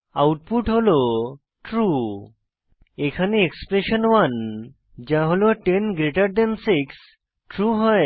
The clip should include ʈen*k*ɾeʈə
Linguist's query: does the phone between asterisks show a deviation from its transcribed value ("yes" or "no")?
yes